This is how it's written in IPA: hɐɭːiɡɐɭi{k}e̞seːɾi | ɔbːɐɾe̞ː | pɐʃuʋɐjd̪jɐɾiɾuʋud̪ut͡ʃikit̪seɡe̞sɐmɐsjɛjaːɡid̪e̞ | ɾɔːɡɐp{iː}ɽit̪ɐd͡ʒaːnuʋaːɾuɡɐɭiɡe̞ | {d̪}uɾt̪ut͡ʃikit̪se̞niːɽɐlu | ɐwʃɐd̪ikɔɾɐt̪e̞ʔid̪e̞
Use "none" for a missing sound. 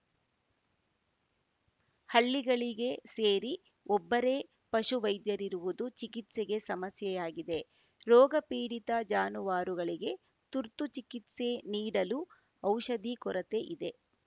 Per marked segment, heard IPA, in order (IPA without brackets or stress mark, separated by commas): ɡ, iː, t̪